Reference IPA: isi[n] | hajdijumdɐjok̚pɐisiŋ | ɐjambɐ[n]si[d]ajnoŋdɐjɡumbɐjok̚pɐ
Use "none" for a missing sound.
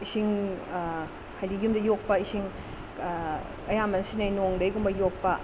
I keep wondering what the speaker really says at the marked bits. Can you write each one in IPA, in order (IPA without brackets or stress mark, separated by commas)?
ŋ, n, n